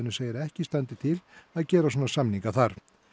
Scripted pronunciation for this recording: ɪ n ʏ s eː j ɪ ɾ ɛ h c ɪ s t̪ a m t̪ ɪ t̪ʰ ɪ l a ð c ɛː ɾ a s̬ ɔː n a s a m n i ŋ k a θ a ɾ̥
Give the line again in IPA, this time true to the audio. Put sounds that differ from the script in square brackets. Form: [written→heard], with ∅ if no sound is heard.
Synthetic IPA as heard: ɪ n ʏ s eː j ɪ ɾ ɛ h c ɪ s t̪ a [m→n] t̪ ɪ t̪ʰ ɪ l a ð c ɛː ɾ a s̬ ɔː n a s a m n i ŋ k a θ a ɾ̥

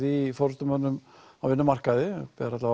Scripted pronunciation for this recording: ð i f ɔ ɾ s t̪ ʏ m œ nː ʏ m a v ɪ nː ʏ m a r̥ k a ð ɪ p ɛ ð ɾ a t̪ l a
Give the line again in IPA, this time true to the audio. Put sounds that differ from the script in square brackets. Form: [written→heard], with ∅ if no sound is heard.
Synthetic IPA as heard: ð i f ɔ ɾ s t̪ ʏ m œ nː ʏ m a v ɪ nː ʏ m a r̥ k a ð ɪ p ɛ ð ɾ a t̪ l a

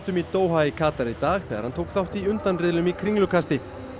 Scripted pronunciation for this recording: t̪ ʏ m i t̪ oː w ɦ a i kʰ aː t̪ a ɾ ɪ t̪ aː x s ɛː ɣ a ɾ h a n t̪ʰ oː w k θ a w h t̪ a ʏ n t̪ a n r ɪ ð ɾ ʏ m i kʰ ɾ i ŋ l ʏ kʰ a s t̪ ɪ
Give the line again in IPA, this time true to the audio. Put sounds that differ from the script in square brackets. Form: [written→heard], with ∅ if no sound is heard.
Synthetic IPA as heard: t̪ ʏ m i t̪ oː w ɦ a i kʰ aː t̪ a ɾ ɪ t̪ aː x [s→θ] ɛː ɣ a ɾ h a n t̪ʰ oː w k θ a w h t̪ [a→i] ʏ n t̪ a n r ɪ ð [ɾ→l] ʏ m i kʰ ɾ i ŋ l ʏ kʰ a s t̪ ɪ

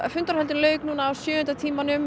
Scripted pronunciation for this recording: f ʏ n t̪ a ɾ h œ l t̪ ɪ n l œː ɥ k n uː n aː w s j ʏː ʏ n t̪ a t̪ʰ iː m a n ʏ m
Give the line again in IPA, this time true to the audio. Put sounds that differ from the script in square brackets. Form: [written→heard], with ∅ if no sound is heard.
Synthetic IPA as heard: f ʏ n t̪ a ɾ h [œ→ɛ] l t̪ ɪ n l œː ɥ k n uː n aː w s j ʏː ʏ n t̪ a t̪ʰ iː m a n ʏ m

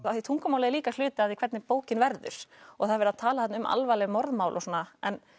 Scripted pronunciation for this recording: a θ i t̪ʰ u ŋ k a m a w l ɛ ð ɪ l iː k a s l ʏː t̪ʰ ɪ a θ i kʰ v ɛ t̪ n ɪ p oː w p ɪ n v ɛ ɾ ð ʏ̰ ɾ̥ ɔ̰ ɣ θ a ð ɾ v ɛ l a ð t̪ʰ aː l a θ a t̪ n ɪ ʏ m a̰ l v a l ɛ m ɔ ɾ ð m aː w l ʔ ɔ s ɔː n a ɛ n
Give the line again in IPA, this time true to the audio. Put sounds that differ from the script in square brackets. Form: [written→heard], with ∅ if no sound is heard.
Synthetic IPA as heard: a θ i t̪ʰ u ŋ k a m a w l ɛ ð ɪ l iː k a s l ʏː [t̪ʰ→t̪] ɪ a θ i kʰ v ɛ t̪ n ɪ p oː w [p→c] ɪ n v ɛ ɾ ð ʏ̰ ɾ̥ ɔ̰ ɣ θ a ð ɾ v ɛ [l→ɾ] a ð t̪ʰ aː l a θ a t̪ n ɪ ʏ m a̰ l v a l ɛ m ɔ ɾ ð m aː w l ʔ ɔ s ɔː n a ɛ n

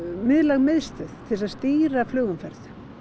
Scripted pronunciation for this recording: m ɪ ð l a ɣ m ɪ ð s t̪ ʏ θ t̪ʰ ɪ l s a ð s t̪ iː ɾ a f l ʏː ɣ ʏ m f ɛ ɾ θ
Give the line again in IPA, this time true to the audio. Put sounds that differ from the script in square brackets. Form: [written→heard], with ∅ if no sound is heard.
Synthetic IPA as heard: m ɪ ð l a ɣ m ɪ ð s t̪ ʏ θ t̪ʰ ɪ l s a ð s t̪ iː ɾ a f l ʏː ɣ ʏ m f ɛ ɾ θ

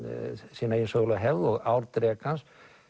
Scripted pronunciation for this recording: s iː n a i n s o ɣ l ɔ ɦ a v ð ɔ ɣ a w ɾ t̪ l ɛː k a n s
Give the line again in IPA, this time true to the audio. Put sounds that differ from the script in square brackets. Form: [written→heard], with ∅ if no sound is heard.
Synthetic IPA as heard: s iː n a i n s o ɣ l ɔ ɦ [a→ɛ] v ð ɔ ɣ a w ɾ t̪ [l→ɾ] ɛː k a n s

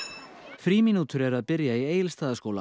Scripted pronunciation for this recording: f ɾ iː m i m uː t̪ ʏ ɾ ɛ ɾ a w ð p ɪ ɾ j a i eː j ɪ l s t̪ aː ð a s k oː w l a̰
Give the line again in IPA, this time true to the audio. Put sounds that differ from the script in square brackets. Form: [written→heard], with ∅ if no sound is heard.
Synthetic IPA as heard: f ɾ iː m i [m→n] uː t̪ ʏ ɾ ɛ ɾ a [w→∅] ð p ɪ ɾ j a i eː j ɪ l s t̪ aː ð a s k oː w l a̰

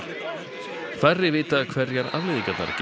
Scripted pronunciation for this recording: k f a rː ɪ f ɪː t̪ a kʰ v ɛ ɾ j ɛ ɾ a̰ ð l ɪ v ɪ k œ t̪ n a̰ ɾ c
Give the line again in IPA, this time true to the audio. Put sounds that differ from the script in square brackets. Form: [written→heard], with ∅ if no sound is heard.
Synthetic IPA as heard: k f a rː ɪ [f→v] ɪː t̪ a kʰ v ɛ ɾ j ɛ ɾ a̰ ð l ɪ [v→ð] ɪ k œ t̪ n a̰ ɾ c

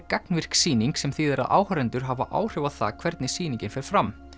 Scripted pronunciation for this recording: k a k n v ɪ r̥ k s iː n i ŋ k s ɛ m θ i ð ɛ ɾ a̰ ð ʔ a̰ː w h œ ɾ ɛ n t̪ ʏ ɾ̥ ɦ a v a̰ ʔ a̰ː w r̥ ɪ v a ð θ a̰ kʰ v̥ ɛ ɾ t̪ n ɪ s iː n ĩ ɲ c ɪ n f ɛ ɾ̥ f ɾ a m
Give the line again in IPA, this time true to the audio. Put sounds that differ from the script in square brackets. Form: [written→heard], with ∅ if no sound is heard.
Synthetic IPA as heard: k a k n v ɪ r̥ k s iː n i ŋ k s ɛ m θ i ð ɛ ɾ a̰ ð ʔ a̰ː w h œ ɾ ɛ n t̪ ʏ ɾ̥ ɦ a v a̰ ʔ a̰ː w r̥ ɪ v a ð θ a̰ kʰ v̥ ɛ ɾ t̪ n ɪ s iː n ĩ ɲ c ɪ n f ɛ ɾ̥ f ɾ a m

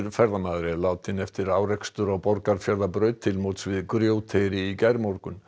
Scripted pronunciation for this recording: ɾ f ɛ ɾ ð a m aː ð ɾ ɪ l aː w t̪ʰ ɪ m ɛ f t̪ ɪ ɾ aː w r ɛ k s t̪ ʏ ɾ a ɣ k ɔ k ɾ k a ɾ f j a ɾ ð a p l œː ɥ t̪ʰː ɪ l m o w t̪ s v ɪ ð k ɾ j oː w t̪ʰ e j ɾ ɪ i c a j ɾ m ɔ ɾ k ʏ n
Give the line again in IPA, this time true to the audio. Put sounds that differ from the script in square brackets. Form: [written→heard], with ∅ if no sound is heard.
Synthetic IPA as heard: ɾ f ɛ ɾ ð a m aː ð ɾ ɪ l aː w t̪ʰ ɪ [m→n] ɛ f t̪ ɪ ɾ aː w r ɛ k s t̪ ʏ ɾ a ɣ [k→p] ɔ [k→∅] ɾ k a ɾ f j a ɾ ð a p [l→ɾ] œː ɥ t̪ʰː ɪ l m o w t̪ s v ɪ ð k ɾ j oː w t̪ʰ e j ɾ ɪ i c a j ɾ m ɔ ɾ k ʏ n

